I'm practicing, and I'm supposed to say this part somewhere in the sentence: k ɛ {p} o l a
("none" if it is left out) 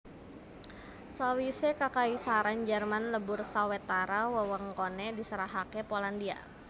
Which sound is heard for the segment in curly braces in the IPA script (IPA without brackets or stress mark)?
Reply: p